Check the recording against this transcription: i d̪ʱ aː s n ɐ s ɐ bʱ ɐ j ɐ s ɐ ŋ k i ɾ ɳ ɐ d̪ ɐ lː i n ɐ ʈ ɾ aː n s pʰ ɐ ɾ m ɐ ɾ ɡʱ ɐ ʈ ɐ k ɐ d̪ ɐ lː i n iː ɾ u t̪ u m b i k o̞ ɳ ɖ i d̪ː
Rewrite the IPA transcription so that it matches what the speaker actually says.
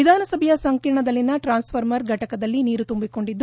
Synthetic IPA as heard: i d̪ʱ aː n ɐ s ɐ bʱ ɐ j ɐ s ɐ ŋ k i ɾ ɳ ɐ d̪ ɐ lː i n ɐ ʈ ɾ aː n s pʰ ɐ ɾ m ɐ ɾ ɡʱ ɐ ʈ ɐ k ɐ d̪ ɐ lː i n iː ɾ u t̪ u m b i k o̞ ɳ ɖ i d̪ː